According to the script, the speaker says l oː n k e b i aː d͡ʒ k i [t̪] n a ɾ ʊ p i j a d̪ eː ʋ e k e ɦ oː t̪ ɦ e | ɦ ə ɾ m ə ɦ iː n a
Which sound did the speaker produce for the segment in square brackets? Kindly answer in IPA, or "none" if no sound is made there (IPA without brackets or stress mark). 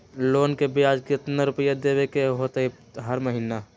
t̪